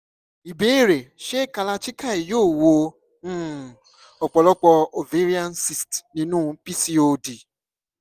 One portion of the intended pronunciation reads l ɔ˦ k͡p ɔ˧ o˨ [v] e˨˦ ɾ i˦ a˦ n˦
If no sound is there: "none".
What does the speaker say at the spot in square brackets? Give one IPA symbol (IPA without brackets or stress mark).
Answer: v